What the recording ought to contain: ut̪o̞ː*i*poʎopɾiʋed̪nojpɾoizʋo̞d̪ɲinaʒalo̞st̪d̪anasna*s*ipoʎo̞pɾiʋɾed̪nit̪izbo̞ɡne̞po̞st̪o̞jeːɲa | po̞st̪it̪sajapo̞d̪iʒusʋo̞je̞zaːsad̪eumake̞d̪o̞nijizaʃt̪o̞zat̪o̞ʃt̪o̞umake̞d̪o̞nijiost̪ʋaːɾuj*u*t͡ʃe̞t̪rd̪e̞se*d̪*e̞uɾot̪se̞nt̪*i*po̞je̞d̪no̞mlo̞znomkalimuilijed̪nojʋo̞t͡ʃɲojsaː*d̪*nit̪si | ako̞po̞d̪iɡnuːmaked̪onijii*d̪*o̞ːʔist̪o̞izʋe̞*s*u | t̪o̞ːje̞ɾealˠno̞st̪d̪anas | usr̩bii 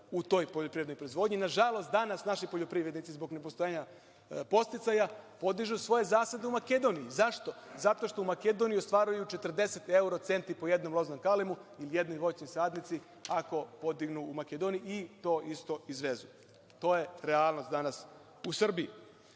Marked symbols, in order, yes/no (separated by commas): no, no, yes, no, yes, yes, no, no